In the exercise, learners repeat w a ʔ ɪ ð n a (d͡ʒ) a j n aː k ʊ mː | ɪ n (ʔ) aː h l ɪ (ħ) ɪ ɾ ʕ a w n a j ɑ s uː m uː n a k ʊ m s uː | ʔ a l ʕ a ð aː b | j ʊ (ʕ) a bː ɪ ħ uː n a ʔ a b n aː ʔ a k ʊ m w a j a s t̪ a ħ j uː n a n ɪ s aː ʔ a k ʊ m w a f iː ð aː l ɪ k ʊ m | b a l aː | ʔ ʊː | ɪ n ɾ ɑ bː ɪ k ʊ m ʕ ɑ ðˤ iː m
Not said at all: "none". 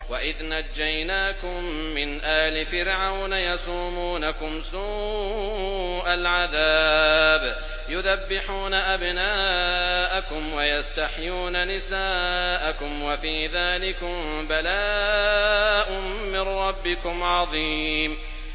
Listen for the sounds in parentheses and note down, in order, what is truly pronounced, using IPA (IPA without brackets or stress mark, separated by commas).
d͡ʒː, ʔ, f, ð